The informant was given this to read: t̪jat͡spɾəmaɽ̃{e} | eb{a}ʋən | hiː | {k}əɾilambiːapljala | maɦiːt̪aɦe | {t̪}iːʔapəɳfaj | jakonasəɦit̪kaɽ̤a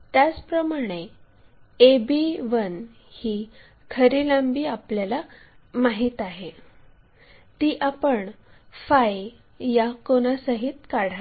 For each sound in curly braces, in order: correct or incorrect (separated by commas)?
correct, incorrect, incorrect, correct